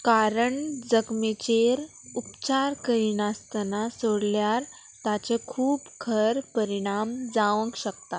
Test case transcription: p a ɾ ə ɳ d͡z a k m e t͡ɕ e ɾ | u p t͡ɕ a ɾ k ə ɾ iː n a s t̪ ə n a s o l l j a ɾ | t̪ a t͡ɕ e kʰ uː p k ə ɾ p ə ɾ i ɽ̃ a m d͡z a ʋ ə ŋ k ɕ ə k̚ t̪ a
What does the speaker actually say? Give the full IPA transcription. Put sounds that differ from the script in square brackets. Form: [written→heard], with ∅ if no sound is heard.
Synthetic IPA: [p→k] a ɾ ə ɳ d͡z [a→ə] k m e t͡ɕ e ɾ | u p t͡ɕ a ɾ k ə ɾ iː n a s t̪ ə n a s o [l→ɽ] l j a ɾ | t̪ a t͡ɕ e kʰ uː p [k→kʰ] ə ɾ p ə ɾ i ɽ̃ a m d͡z a ʋ ə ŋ k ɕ ə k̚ t̪ a